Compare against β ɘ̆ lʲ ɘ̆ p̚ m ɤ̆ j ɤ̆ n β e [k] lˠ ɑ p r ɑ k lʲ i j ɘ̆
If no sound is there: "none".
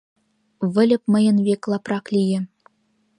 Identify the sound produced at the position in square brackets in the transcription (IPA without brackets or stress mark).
k